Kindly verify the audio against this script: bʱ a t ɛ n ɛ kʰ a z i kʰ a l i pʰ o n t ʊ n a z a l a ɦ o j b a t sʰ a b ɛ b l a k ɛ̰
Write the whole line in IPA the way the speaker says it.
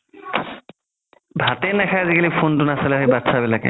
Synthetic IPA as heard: bʱ a t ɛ n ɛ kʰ a z i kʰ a l i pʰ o n t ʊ n a s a l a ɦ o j b a t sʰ a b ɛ l a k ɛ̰